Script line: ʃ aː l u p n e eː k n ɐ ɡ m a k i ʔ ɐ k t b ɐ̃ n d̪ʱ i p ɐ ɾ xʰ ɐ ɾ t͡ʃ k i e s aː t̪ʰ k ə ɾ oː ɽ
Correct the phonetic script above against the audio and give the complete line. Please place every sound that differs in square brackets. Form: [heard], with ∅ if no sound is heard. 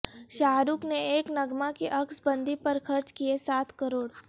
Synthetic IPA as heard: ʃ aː [ɾ] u [k] n e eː k n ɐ ɡ m a k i ʔ ɐ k [s] b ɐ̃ n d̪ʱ i p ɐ ɾ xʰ ɐ ɾ t͡ʃ k i e s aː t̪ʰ k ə ɾ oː ɽ